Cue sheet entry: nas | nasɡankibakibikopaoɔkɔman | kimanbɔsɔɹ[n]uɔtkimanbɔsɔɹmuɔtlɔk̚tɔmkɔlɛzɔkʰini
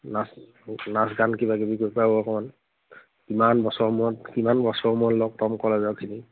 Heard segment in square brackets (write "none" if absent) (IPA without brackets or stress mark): m